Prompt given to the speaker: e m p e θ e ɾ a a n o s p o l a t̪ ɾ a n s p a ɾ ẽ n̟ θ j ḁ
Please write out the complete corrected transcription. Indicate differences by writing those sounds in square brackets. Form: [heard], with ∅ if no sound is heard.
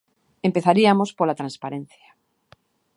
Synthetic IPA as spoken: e m p e θ [a] ɾ [i] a [m] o s p o l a t̪ ɾ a n s p a ɾ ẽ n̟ θ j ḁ